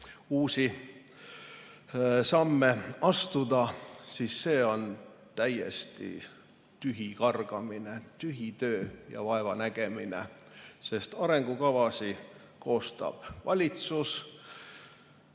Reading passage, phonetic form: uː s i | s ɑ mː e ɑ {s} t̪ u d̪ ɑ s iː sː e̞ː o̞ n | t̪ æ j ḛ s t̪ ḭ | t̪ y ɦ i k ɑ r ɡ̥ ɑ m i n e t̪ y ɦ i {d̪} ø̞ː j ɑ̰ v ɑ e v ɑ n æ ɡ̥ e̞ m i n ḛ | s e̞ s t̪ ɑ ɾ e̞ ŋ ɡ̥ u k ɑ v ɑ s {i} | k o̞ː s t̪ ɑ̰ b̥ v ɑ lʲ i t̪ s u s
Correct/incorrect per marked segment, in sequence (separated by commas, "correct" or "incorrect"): correct, incorrect, correct